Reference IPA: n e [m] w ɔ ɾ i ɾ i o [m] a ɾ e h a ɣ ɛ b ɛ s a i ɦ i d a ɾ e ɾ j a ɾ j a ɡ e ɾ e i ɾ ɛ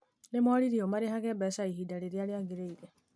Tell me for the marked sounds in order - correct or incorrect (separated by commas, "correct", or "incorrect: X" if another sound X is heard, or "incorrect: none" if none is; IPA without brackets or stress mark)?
correct, correct